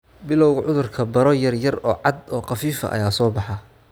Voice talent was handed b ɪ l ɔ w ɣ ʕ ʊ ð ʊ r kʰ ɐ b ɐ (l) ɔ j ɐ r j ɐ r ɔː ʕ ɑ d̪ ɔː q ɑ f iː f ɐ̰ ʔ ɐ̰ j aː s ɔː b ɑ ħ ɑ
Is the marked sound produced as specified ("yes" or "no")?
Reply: no